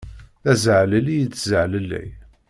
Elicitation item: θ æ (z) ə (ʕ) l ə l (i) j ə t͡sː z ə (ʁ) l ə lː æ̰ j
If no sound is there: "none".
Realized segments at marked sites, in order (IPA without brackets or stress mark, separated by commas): z, ʕ, i, ʕ